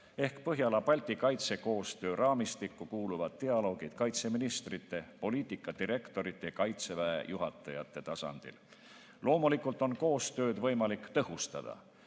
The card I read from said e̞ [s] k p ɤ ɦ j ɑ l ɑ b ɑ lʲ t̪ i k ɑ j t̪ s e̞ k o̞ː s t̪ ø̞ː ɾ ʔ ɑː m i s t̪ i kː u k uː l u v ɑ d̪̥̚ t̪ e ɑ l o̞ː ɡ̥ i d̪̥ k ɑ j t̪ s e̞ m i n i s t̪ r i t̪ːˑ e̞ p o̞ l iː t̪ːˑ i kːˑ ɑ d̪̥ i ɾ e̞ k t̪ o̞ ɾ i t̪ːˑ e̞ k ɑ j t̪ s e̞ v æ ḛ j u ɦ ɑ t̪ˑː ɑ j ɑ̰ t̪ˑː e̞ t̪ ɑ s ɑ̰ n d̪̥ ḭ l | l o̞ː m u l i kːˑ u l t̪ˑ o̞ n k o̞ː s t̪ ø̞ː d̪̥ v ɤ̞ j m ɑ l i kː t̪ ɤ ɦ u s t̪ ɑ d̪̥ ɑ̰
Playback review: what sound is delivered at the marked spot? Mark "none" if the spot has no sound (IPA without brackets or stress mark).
h